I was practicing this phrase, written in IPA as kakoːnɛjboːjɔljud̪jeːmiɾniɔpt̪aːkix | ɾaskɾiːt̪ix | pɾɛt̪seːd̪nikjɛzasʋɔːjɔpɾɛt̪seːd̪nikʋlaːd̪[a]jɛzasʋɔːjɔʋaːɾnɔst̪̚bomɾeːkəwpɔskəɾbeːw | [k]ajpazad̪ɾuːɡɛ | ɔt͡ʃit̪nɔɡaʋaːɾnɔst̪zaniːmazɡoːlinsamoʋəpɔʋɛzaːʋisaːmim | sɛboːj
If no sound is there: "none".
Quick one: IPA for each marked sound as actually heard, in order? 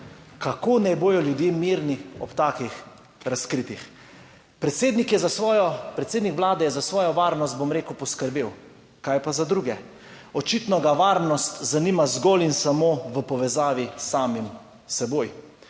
ɛ, k

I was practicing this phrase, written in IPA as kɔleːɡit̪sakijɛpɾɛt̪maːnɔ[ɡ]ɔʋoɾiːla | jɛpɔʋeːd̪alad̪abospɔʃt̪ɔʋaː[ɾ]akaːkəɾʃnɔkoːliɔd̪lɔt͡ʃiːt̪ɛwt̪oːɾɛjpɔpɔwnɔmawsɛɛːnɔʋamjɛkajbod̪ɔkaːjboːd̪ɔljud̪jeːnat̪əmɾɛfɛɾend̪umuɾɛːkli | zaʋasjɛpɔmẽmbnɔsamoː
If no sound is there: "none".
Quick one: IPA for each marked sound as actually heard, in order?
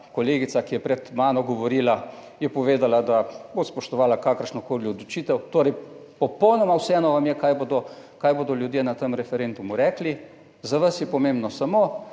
ɡ, l

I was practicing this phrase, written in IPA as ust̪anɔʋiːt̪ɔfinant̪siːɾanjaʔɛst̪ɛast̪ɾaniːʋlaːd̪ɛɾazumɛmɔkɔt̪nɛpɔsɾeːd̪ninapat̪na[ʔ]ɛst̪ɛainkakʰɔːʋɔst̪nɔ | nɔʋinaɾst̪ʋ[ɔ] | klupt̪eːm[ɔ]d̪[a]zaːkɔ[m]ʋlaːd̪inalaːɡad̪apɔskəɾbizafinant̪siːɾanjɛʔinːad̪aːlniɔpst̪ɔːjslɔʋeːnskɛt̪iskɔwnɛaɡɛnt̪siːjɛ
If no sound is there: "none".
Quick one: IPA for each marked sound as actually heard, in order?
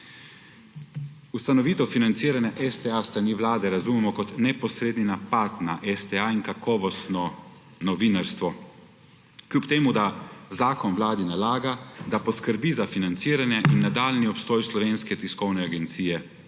ʔ, ɔ, u, a, n

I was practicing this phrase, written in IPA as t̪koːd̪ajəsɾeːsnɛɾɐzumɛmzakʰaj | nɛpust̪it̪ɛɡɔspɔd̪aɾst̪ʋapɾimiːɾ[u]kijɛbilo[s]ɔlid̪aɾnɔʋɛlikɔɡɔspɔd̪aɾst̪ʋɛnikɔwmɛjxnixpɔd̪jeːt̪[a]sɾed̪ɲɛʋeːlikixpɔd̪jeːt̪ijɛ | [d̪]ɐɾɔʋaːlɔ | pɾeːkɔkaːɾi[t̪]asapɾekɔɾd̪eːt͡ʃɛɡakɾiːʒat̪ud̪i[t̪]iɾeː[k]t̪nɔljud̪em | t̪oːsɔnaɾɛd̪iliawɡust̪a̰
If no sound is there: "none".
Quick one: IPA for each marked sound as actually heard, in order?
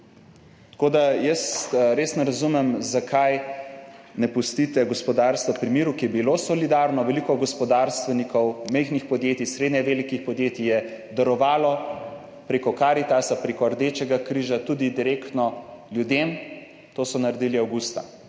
u, s, i, d̪, t̪, d̪, k

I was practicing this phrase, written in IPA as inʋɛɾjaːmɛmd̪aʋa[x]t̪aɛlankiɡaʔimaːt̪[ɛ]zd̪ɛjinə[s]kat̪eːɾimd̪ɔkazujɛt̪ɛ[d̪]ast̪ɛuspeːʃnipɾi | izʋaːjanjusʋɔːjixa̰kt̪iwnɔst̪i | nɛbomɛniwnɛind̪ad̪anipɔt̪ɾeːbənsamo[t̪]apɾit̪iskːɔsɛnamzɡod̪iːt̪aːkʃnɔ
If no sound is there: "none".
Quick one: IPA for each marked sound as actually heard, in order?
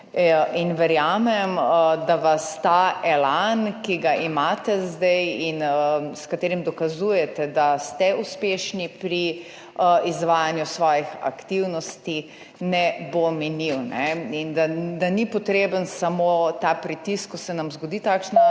s, ɛ, s, d̪, t̪

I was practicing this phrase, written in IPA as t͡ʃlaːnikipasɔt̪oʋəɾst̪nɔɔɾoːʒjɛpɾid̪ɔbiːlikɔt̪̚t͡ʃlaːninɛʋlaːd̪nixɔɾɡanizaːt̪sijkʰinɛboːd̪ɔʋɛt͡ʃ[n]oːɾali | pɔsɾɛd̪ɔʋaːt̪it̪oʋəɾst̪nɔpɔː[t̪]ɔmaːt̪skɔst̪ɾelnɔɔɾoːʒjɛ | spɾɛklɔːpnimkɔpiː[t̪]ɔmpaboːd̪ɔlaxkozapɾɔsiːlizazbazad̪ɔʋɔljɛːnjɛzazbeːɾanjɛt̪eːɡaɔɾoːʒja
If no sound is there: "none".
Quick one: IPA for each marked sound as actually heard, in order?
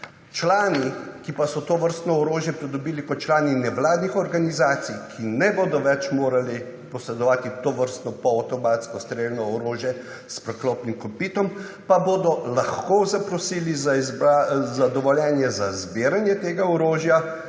m, t̪, t̪

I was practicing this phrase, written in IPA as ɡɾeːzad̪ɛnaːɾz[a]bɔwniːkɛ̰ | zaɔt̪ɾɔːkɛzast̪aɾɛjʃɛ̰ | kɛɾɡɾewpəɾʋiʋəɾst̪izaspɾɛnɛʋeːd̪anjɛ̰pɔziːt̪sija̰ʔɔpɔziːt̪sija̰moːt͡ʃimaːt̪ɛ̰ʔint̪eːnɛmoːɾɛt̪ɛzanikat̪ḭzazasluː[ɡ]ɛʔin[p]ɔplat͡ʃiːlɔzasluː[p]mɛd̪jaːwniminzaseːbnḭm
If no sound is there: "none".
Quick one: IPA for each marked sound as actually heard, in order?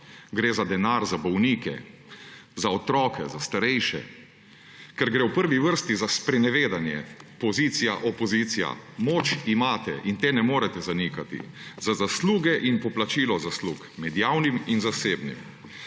a, ɡ, p, k

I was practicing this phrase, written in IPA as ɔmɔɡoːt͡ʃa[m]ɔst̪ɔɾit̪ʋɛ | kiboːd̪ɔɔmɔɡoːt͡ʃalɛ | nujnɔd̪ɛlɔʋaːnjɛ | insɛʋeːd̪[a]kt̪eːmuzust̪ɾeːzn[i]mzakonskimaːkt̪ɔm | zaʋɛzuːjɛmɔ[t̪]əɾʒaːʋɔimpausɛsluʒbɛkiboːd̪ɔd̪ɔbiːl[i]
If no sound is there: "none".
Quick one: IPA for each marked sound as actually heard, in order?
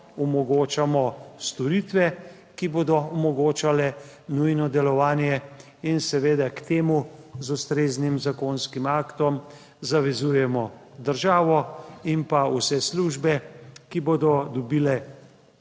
m, a, i, d̪, ɛ

